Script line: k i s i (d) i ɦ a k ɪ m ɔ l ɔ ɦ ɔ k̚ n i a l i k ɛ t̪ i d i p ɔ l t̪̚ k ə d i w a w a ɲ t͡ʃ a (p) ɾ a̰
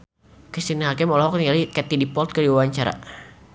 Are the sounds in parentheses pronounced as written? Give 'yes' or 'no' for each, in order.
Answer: no, no

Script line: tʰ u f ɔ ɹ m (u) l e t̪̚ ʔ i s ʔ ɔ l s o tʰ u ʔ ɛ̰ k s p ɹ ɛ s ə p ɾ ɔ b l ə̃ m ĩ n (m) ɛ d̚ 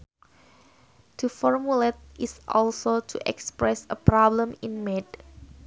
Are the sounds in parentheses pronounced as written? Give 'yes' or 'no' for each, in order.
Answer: yes, yes

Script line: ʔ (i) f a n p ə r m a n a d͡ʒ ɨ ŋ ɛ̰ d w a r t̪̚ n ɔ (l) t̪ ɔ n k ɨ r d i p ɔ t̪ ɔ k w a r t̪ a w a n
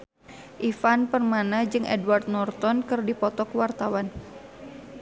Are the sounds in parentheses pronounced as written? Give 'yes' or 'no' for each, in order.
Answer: yes, no

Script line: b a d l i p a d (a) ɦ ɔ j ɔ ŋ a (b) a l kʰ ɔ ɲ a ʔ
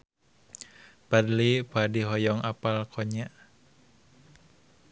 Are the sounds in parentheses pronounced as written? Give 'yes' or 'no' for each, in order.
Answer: no, no

